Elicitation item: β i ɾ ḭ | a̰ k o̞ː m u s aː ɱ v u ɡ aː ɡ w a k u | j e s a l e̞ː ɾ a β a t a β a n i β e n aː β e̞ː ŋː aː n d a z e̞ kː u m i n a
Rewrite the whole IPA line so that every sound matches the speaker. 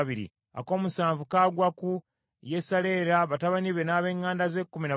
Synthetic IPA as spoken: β i ɾ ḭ | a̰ k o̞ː m u s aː ɱ v u k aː ɡ w a k u | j e s a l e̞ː ɾ a β a t a β a n i β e n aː β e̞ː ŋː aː n d a z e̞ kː u m i n a